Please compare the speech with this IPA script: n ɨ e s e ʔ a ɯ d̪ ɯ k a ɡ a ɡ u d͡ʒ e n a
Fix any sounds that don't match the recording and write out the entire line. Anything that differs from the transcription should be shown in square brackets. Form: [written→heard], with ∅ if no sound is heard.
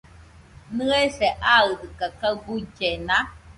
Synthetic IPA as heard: n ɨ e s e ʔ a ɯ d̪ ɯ k a [ɡ→k] a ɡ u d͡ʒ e n a